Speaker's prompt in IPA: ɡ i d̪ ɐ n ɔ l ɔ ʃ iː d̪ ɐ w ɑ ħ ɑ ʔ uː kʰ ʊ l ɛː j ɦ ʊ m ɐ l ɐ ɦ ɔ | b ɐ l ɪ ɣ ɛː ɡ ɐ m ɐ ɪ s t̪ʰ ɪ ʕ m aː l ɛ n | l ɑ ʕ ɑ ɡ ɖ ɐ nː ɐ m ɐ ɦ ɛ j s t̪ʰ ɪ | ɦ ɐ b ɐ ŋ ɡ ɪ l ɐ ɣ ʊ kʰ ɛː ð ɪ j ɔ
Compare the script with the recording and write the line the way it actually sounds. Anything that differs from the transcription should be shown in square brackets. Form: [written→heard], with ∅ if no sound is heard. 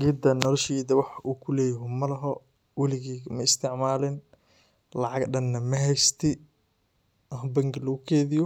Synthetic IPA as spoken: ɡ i d̪ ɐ n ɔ l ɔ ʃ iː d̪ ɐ w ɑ ħ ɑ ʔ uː kʰ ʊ l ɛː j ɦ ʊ m ɐ l ɐ ɦ ɔ | [b→w] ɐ l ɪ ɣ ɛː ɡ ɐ m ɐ ɪ s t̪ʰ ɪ ʕ m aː l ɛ n | l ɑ ʕ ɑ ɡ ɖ ɐ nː ɐ m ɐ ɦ ɛ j s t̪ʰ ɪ | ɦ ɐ b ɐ ŋ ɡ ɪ l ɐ ɣ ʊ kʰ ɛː ð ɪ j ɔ